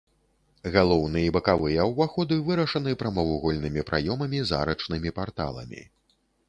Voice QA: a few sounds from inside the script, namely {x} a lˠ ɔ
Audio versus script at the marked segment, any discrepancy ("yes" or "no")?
yes